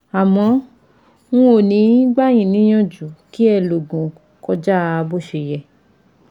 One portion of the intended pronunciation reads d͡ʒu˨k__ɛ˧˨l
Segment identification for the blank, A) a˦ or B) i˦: B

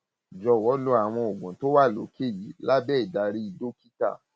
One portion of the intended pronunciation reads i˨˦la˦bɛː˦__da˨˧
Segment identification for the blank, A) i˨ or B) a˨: A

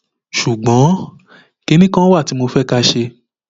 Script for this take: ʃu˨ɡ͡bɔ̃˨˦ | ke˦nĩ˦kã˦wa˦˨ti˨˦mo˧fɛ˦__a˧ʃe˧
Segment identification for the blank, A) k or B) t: A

